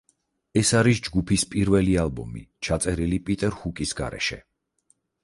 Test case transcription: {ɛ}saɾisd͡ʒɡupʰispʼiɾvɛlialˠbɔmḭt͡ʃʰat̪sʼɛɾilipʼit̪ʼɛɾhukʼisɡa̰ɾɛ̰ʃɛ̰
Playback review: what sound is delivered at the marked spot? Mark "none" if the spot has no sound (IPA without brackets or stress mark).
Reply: ɛ